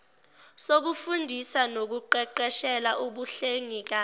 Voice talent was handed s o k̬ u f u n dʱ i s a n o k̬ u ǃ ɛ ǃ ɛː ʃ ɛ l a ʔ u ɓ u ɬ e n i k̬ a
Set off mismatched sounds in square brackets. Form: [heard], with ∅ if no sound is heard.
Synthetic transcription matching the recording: s o k̬ u f u n dʱ i s a n o k̬ u ǃ ɛ ǃ [ɛ] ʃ ɛ l a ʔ u ɓ u ɬ e [ŋ] i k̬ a